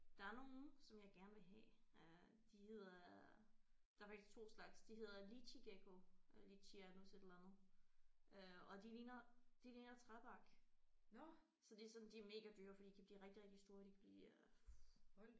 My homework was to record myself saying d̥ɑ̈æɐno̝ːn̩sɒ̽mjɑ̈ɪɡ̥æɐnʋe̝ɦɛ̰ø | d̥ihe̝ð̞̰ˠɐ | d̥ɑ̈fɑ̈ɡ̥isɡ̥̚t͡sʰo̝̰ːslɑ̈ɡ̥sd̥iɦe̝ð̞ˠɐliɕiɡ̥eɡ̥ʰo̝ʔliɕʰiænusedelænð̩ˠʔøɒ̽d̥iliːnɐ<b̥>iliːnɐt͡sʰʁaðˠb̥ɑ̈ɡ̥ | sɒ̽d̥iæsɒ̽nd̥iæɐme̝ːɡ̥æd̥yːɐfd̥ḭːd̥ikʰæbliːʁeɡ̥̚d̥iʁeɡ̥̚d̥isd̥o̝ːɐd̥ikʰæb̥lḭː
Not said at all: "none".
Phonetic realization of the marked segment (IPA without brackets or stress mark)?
d̥